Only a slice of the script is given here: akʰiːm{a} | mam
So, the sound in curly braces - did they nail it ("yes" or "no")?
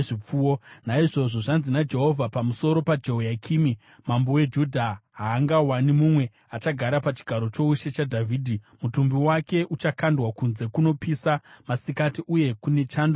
no